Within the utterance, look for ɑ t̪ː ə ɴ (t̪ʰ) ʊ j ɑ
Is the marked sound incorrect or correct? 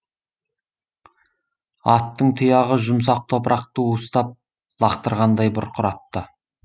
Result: correct